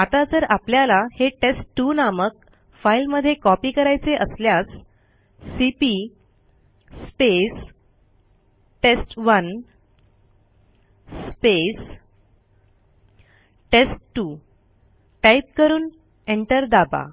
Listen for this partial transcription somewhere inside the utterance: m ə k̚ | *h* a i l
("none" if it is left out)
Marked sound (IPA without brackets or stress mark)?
f